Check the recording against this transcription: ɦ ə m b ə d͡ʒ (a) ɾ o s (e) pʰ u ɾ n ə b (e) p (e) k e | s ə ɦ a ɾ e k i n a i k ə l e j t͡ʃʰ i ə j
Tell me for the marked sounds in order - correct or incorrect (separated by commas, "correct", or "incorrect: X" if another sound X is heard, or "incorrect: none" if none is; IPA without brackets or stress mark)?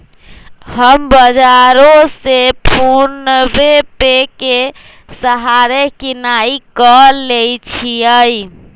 correct, correct, correct, correct